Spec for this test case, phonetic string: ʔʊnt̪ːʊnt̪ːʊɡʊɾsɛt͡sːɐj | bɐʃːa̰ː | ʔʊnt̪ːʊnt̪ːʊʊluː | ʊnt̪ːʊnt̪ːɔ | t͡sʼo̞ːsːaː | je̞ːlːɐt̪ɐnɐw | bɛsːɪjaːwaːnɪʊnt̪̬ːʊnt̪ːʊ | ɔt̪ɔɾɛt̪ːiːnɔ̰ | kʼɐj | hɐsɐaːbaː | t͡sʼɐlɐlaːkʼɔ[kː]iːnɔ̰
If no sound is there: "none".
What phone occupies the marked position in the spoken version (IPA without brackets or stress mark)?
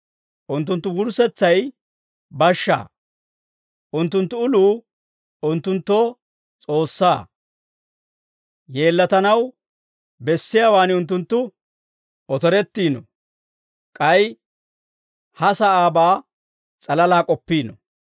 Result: pː